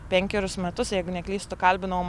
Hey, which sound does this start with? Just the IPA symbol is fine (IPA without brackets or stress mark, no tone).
pʲ